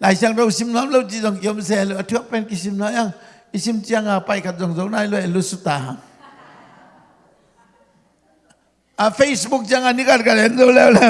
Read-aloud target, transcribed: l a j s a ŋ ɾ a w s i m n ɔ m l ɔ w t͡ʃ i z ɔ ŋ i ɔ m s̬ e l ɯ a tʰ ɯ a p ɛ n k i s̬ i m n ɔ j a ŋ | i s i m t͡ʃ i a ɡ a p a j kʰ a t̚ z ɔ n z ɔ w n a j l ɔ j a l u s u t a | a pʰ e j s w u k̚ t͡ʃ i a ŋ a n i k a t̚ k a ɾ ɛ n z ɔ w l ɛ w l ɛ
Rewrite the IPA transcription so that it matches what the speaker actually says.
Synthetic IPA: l a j s a ŋ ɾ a w s i m n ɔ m l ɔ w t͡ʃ i z ɔ ŋ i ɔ m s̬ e l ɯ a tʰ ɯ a p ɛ n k i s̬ i m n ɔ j a ŋ | i s i m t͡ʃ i a ŋ a p a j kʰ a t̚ z ɔ ŋ z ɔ w n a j l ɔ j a l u s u t a | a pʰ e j s b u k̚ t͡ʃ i a ŋ a n i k a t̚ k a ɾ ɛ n z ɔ w l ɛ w l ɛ